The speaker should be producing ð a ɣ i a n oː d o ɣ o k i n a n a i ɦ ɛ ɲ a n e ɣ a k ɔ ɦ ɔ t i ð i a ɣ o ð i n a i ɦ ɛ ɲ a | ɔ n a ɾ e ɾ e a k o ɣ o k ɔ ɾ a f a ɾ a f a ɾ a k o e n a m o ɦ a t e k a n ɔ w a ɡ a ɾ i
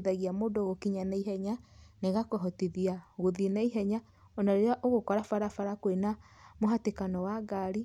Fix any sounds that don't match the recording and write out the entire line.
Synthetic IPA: ð a ɣ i a m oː d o ɣ o k i ɲ a n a i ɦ ɛ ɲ a n e ɣ a k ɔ ɦ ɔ t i ð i a ɣ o ð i n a i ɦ ɛ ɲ a | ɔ n a ɾ e ɾ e a ʔ o ɣ o k ɔ ɾ a f a ɾ a f a ɾ a k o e n a m o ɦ a t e k a n ɔ w a ɡ a ɾ i